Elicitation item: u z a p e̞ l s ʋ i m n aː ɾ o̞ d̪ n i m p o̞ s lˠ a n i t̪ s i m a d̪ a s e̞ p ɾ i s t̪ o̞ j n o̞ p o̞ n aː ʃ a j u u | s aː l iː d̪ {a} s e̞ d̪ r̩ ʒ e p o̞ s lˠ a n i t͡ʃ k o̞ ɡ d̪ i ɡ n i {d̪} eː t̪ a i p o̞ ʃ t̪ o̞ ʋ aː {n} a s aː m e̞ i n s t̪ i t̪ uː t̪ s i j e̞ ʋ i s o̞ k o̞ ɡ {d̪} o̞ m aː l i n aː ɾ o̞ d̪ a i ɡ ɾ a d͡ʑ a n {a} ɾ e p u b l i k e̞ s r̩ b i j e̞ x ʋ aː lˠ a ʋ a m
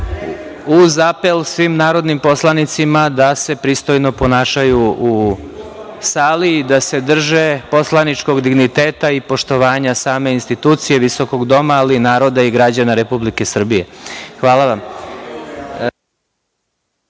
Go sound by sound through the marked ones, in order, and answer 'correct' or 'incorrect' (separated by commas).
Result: correct, incorrect, incorrect, correct, correct